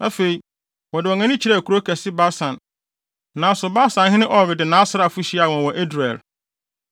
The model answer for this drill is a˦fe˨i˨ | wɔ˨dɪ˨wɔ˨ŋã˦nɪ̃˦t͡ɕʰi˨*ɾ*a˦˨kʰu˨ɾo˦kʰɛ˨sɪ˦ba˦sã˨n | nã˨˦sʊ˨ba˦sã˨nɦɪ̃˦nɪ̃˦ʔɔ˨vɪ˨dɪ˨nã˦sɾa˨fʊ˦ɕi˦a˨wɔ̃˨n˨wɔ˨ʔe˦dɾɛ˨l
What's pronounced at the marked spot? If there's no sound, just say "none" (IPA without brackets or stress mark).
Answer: ɾ